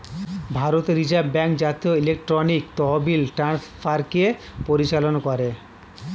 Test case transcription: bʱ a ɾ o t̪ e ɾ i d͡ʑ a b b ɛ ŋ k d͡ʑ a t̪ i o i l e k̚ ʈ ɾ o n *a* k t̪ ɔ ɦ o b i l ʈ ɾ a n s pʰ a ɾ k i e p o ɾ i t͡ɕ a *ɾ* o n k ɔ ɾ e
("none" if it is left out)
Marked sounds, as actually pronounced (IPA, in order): i, l

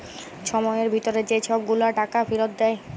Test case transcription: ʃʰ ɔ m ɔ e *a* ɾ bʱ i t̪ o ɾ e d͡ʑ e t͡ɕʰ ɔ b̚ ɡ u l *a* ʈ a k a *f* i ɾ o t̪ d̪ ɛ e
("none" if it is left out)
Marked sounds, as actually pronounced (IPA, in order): e, a, f

